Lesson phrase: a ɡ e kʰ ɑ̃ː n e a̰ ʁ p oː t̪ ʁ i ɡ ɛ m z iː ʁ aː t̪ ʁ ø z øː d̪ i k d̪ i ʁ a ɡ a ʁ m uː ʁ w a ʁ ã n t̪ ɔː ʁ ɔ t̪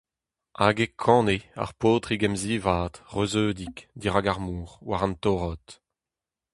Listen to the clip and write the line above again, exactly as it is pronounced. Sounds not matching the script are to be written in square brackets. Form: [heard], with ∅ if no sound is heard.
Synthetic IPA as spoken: a ɡ e kʰ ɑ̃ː n e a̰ ʁ p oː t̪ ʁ i ɡ ɛ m z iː [v] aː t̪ ʁ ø z øː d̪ i k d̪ i ʁ a ɡ a ʁ m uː ʁ w a ʁ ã n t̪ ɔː ʁ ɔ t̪